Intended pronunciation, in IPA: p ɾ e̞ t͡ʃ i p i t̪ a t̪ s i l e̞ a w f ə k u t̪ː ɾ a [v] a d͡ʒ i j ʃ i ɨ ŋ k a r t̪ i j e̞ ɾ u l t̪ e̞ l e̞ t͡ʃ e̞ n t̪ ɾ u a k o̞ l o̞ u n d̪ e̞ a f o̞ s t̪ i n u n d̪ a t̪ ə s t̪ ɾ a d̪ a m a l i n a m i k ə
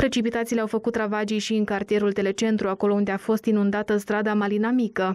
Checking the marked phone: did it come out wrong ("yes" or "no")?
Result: no